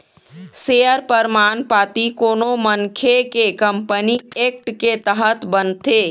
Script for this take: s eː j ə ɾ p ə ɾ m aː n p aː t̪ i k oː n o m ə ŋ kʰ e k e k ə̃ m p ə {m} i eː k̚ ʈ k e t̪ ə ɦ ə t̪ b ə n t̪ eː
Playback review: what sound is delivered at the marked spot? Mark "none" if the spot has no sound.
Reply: n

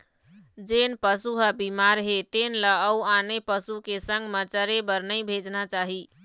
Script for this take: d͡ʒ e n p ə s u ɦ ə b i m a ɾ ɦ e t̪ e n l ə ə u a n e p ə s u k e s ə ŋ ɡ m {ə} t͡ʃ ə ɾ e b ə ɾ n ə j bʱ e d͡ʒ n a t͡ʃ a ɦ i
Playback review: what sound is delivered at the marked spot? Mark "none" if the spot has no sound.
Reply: ə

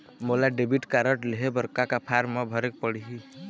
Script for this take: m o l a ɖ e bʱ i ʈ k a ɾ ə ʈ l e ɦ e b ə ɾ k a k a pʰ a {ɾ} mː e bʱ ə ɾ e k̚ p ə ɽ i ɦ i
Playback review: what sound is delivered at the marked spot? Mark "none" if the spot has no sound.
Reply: ɾ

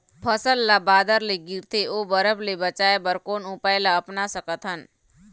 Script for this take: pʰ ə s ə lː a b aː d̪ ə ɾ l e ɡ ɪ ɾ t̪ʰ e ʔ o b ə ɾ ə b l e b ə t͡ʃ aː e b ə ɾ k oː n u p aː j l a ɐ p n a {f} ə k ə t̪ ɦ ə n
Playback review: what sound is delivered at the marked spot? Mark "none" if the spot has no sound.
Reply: s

